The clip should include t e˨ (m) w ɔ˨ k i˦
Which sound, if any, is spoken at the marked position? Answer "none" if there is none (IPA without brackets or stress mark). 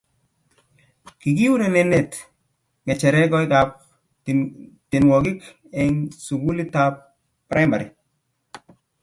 n